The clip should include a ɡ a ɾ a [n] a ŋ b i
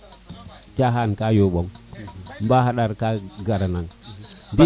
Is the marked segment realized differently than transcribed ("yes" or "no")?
no